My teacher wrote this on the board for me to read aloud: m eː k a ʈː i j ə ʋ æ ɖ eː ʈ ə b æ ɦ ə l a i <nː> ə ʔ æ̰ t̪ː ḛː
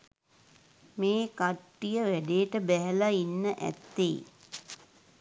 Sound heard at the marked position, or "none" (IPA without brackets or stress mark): nː